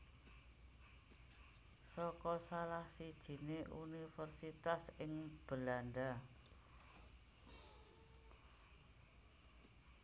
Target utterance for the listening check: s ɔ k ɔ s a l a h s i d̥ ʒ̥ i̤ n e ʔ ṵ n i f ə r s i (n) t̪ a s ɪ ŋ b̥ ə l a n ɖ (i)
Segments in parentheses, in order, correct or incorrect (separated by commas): incorrect, incorrect